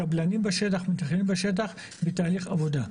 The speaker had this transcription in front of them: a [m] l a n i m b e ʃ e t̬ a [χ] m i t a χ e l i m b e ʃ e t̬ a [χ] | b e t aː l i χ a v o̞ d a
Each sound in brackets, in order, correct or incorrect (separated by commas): incorrect, correct, correct